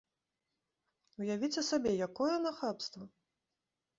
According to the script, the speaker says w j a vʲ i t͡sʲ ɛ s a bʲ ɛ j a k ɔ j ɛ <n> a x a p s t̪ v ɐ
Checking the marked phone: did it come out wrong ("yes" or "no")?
no